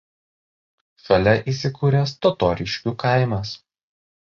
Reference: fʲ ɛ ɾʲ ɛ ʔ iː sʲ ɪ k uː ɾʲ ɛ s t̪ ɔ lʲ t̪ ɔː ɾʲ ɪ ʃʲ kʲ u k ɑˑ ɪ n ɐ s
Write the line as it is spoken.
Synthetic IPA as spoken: fʲ ɛ lʲ ɛ ʔ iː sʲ ɪ k uː ɾʲ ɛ s t̪ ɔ t̪ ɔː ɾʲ ɪ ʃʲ kʲ u k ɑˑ ɪ m ɐ s